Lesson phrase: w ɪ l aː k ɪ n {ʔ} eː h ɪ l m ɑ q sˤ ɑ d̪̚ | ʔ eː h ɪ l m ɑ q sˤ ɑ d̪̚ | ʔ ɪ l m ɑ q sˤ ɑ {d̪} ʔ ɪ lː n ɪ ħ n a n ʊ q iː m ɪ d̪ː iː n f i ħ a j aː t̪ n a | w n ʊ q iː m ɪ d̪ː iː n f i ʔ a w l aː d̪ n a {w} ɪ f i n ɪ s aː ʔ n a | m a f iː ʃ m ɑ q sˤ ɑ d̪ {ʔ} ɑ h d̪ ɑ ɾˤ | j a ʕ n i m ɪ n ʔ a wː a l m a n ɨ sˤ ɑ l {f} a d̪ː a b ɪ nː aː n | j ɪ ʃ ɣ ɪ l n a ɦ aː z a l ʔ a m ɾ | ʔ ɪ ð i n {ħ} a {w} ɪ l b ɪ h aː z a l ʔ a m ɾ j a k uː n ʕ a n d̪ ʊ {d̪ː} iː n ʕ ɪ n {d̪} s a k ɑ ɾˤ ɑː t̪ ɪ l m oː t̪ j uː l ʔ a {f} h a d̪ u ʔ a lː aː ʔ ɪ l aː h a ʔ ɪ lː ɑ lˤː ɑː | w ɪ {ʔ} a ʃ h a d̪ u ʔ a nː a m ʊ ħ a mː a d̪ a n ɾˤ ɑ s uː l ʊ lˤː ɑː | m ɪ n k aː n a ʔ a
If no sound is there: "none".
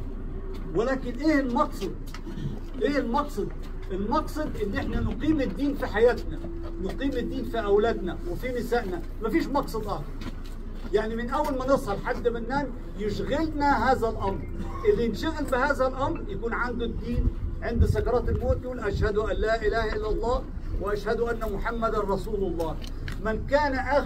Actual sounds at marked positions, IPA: ʔ, d̪, w, ʔ, ħ, ʃ, ɣ, d̪ː, d̪, ʃ, ʔ

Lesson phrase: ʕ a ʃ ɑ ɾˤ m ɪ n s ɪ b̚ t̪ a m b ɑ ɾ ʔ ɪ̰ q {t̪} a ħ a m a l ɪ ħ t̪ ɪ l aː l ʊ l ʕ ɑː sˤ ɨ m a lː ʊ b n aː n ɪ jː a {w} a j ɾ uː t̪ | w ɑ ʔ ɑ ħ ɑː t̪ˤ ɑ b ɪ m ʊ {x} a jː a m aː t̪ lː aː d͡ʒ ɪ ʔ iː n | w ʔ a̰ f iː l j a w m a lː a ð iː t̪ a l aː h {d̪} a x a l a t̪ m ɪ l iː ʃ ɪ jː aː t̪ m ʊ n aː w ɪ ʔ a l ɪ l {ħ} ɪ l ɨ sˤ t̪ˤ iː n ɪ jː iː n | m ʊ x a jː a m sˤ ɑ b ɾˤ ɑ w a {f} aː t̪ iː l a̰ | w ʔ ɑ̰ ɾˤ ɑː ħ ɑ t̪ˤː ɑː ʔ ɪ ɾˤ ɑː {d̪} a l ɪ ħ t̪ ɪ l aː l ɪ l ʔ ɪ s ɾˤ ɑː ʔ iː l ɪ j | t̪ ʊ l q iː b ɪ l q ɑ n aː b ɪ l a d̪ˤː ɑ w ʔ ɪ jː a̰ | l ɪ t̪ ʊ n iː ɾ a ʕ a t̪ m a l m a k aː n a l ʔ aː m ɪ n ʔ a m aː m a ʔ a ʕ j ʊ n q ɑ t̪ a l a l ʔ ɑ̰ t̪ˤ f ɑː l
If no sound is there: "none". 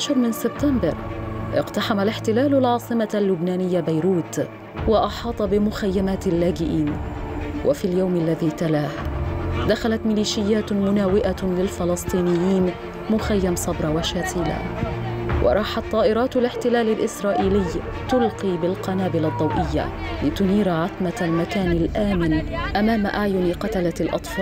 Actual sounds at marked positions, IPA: t̪, b, x, d̪, f, ʃ, t̪

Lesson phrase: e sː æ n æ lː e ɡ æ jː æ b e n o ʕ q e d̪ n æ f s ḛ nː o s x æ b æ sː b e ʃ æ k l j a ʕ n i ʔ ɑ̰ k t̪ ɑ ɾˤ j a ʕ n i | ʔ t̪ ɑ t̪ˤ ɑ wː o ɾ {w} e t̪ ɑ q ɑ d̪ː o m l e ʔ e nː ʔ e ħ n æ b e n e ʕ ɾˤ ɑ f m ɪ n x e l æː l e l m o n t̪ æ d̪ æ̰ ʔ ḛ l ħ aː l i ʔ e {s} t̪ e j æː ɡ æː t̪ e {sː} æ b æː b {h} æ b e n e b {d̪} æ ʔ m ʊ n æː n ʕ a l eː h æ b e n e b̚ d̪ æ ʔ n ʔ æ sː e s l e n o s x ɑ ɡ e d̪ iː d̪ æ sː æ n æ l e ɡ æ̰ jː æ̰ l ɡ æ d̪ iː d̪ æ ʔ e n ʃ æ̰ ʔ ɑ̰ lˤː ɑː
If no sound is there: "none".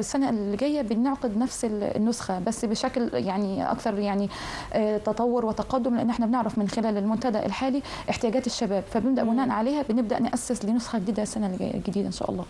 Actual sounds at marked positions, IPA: w, ħ, ʃː, f, d̪

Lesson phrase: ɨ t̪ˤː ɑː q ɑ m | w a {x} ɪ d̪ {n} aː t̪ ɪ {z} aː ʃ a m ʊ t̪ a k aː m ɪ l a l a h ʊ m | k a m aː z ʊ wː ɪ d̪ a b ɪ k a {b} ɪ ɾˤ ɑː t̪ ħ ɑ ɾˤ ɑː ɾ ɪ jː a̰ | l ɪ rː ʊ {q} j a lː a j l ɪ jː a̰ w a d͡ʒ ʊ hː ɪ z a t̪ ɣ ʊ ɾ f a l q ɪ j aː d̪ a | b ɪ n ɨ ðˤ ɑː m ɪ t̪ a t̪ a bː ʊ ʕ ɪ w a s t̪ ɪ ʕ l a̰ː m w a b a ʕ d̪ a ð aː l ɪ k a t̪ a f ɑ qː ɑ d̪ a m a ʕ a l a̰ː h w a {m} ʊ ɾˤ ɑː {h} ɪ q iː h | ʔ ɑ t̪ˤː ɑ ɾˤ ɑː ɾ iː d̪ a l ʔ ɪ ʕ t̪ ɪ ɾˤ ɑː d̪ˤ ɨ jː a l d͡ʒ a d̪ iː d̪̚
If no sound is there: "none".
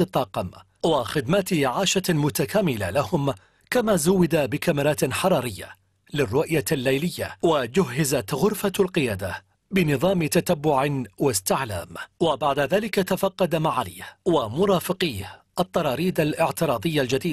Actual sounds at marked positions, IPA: x, m, ʕ, m, ʔ, m, f

